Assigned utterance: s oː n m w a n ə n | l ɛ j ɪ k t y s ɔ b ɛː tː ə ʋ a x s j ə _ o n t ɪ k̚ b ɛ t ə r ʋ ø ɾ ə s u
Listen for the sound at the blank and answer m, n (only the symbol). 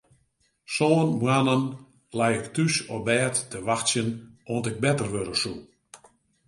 n